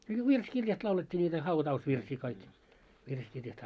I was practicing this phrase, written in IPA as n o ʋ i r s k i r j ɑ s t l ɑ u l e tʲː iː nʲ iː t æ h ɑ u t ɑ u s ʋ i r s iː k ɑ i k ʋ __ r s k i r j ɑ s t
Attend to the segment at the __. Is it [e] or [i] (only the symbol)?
i